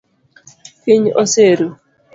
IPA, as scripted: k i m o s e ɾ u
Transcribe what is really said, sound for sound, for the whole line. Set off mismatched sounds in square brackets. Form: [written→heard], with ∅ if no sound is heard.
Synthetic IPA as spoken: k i [m→ɲ] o s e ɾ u